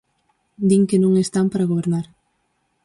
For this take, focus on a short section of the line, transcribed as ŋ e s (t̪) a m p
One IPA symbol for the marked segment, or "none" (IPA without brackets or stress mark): t̪